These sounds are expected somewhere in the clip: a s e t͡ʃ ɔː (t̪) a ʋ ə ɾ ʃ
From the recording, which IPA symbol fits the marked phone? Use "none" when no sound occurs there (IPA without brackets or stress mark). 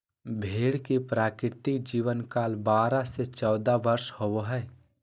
d̪